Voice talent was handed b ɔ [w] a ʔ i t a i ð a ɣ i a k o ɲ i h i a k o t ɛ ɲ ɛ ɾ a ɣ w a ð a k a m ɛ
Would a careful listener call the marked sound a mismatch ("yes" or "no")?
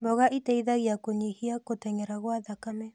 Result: yes